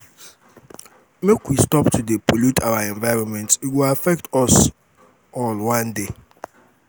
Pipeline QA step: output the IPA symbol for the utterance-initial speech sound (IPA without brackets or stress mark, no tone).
m